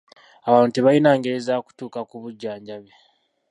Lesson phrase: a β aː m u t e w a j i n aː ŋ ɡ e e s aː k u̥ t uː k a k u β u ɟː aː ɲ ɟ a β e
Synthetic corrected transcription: a β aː n u t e β a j i n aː ŋ ɡ e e z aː k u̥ t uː k a k u β u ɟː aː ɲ ɟ a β e

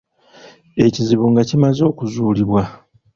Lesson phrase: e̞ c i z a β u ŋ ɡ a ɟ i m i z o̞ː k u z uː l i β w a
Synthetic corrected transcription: e̞ c i z i β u ŋ ɡ a c i m a z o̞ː k u z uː l i β w a

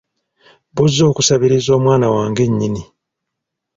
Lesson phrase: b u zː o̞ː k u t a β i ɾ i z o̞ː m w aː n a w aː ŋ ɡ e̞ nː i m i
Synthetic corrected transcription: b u zː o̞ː k u s a β i ɾ i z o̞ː m w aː n a w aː ŋ ɡ e̞ ɲː i n i

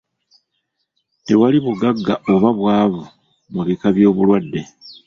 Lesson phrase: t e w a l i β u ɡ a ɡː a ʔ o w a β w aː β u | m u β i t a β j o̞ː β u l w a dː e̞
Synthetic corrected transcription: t e w a l i β u ɡ a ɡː a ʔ o β a β w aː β u | m u β i k a β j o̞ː β u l w a dː e̞

